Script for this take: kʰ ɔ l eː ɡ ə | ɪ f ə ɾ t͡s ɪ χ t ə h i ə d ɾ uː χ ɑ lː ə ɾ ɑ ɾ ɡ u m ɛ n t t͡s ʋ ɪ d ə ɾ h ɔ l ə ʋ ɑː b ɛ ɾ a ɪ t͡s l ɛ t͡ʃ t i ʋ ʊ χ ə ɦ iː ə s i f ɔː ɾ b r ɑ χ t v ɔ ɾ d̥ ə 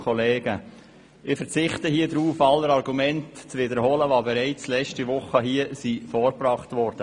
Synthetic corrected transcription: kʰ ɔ l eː ɡ ə | ɪ f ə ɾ t͡s ɪ χ t ə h i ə d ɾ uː f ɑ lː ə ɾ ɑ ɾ ɡ u m ɛ n t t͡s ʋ ɪ d ə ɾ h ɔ l ə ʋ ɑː b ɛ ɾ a ɪ t͡s l ɛ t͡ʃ t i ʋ ʊ χ ə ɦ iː ə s i f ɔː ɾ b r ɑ χ t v ɔ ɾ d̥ ə

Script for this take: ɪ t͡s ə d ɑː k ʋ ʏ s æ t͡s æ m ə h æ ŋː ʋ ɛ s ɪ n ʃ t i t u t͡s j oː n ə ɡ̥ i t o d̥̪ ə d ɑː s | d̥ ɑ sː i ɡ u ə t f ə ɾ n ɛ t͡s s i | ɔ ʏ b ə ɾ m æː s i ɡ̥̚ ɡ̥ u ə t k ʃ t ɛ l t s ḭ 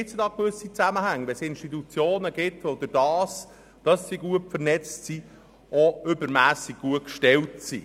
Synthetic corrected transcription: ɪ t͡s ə d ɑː k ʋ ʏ s i t͡s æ m ə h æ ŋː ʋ ɛ s ɪ n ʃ t i t u t͡s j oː n ə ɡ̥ ɪ t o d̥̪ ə d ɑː s | d̥ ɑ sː i ɡ u ə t f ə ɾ n ɛ t͡s s i | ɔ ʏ b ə ɾ m æː s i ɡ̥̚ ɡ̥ u ə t k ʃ t ɛ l t s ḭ

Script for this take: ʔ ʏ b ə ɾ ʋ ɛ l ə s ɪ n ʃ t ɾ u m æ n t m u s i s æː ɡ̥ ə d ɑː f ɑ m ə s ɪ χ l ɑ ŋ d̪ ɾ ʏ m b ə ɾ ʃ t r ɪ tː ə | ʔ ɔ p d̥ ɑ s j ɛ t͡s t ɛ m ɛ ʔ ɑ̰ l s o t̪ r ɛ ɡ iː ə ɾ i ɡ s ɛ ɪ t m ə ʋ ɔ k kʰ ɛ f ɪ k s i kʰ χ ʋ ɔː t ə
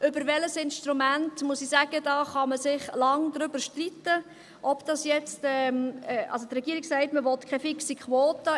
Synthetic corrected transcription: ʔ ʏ b ə ɾ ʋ ɛ l ə s ɪ n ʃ t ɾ u m æ n t m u s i s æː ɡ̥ ə d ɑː χ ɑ m ə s ɪ χ l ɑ ŋ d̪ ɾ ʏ b ə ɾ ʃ t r i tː ə | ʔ ɔ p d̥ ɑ s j ɛ t͡s t ɛ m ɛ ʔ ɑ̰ l s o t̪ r ɛ ɡ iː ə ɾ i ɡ s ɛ ɪ t m ə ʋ ɔ t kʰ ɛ f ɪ k s i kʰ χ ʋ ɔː t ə

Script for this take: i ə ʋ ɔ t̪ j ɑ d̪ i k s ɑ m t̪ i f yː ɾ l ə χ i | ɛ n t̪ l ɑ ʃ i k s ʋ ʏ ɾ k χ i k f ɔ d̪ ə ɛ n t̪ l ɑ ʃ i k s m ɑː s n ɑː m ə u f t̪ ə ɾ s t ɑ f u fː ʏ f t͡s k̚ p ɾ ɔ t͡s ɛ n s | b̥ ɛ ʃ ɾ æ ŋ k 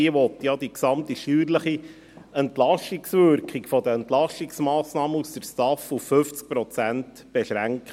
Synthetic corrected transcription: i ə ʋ ɔ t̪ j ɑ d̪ i k s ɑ m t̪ i ʃ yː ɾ l ə χ i | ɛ n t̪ l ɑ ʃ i k s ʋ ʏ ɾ k χ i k f ɔ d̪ ə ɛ n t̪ l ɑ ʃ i k s m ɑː s n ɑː m ə u s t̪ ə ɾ s t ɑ f u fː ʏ f t͡s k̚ p ɾ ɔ t͡s æ n t | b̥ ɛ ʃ ɾ æ ŋ k

